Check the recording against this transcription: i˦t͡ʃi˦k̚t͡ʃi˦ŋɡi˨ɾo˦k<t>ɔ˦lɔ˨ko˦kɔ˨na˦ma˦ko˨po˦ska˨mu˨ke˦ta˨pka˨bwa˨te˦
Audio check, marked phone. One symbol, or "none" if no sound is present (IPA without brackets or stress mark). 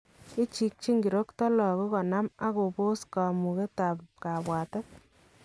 t